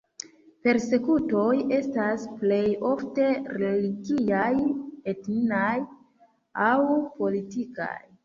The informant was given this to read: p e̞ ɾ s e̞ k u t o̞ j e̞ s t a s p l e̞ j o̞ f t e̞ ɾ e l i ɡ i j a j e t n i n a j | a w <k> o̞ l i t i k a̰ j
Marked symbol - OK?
no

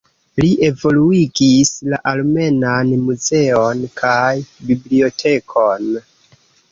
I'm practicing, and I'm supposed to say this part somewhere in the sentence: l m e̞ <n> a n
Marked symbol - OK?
yes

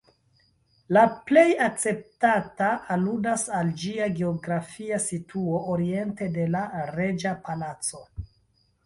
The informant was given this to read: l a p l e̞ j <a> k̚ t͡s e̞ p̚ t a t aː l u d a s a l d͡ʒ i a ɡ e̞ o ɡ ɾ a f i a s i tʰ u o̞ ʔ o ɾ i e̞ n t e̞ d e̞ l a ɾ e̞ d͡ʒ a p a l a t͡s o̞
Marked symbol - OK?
yes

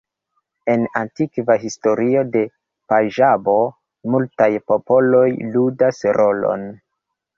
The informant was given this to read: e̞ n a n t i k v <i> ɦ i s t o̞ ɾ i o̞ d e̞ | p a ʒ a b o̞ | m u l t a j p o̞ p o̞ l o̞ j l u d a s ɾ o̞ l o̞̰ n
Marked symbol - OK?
no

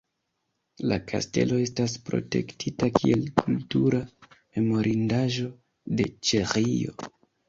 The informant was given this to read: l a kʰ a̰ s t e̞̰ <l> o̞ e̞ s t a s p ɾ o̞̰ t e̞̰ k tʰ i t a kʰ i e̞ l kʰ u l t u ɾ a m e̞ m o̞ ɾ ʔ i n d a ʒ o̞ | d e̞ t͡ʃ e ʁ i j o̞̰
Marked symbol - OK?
yes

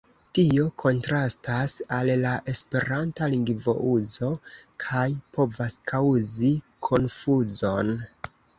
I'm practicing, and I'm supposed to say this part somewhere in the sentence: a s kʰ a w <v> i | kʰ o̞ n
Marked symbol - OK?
no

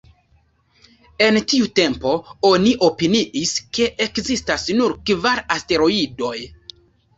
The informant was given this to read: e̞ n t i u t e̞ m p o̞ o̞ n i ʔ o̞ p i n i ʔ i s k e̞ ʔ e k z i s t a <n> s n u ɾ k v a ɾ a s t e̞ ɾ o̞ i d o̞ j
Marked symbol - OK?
no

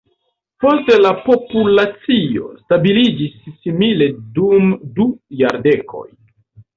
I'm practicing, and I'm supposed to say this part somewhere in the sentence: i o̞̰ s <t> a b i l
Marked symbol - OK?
yes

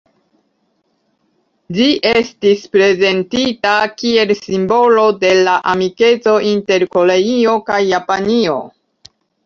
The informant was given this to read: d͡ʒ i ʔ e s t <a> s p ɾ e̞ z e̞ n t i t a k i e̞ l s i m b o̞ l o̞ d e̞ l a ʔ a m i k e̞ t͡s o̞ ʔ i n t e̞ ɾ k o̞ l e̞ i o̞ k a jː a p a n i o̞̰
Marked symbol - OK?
no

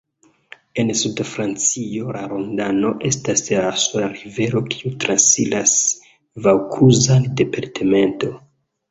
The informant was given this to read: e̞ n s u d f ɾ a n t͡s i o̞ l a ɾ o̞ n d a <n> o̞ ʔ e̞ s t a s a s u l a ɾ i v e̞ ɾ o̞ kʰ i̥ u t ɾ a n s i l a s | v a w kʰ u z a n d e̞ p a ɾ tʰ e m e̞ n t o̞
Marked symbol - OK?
yes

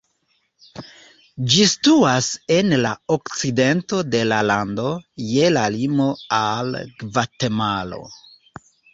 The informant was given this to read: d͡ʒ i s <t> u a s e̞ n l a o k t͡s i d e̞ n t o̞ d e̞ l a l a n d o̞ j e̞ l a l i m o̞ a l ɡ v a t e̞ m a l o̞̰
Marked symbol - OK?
yes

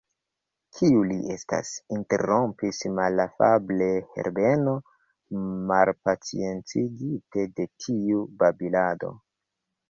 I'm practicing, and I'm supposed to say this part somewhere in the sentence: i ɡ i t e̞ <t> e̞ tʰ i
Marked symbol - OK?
no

